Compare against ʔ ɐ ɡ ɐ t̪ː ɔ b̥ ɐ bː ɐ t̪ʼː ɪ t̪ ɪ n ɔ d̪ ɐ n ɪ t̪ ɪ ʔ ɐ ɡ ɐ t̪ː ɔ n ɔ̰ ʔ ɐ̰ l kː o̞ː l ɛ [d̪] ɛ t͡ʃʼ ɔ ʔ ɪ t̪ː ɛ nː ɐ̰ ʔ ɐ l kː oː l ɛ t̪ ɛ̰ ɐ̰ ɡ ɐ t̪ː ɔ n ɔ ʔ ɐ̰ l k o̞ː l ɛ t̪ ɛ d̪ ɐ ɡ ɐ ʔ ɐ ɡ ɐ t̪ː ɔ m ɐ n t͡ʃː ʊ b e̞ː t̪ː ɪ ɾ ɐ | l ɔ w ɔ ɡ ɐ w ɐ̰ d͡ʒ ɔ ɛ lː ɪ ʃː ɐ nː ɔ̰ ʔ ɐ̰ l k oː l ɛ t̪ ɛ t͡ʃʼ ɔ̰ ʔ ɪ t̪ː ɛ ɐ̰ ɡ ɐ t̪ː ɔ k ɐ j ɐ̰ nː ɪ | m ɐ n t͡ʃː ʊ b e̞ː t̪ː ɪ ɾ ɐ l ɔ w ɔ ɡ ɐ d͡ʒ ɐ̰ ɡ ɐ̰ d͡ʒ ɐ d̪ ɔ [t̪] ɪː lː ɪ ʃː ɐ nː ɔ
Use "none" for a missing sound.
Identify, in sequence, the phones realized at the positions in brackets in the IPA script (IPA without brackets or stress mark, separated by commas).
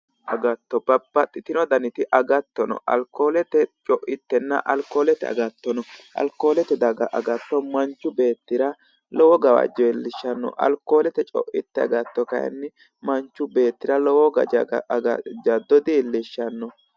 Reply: t̪, d̪